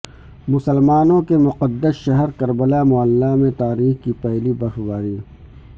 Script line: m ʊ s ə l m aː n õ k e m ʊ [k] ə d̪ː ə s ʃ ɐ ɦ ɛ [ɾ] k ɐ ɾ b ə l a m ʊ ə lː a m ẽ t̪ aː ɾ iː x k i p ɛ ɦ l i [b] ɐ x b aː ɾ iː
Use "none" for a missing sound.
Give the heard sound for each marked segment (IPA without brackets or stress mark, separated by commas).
q, ɾ, b